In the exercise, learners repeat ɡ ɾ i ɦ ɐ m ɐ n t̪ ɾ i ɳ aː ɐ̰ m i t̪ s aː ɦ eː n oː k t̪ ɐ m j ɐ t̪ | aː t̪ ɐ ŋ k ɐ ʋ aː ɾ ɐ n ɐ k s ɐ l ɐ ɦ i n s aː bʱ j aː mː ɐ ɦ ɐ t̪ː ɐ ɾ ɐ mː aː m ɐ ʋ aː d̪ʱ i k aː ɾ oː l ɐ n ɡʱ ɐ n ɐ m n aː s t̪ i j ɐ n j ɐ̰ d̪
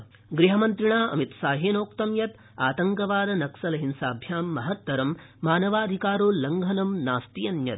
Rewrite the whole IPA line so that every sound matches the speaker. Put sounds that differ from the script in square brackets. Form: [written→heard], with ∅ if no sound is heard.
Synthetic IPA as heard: ɡ ɾ i ɦ ɐ m ɐ n t̪ ɾ i ɳ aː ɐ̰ m i t̪ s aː ɦ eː n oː k t̪ ɐ m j ɐ t̪ | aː t̪ ɐ ŋ k ɐ ʋ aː ɾ ɐ n ɐ k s ɐ l ɐ ɦ i n s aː bʱ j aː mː ɐ ɦ ɐ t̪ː ɐ ɾ ɐ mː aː [m→n] ɐ ʋ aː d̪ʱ i k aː ɾ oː l ɐ [n→ŋ] ɡʱ ɐ n ɐ m n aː s t̪ i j ɐ n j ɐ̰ [d̪→t̪]